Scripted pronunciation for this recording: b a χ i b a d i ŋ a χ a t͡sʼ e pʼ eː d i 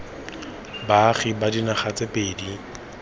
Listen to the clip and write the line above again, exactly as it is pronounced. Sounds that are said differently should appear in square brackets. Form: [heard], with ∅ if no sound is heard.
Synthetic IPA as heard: b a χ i b a d i [n] a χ a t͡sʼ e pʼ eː d i